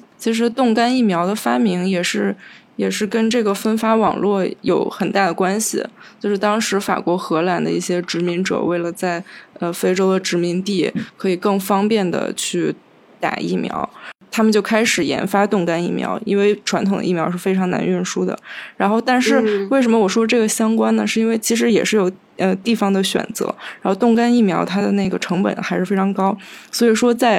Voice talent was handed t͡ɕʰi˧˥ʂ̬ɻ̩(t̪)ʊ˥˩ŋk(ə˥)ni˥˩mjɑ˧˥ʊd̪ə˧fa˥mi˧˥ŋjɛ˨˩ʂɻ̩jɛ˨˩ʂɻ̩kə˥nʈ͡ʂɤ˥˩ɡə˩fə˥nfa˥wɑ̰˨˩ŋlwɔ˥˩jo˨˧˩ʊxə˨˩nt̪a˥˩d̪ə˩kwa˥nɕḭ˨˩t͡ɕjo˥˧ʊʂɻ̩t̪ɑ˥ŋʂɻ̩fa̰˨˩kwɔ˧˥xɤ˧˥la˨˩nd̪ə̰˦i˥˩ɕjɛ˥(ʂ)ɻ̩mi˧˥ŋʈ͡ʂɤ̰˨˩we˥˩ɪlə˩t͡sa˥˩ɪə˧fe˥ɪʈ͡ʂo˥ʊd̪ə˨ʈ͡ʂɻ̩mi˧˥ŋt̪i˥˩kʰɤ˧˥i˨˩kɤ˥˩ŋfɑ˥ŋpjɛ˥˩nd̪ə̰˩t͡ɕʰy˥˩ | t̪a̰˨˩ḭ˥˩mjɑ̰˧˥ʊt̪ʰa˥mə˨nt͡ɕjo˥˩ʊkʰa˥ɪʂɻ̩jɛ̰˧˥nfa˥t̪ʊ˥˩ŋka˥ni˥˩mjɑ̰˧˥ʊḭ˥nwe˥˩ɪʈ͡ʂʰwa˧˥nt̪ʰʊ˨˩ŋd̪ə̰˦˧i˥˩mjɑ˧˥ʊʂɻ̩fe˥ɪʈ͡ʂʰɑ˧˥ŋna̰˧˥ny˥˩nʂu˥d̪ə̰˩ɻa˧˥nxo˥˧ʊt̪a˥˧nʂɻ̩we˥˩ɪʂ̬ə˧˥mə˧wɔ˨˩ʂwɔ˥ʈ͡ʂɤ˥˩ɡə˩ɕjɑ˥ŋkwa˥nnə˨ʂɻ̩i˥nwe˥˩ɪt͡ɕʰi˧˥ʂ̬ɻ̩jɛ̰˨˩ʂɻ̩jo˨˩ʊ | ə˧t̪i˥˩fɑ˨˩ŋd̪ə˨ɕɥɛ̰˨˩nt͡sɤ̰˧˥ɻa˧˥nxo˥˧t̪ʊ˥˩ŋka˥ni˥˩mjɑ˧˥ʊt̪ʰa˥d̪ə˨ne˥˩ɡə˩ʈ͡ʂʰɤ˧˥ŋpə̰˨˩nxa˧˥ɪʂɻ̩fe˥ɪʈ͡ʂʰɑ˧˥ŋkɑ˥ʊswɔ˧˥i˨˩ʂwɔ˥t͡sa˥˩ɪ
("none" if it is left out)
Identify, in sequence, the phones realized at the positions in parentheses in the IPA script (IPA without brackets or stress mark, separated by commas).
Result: t̪, a˥, ʈ͡ʂ